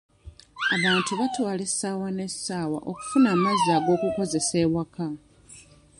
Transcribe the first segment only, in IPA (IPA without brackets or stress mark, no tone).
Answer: a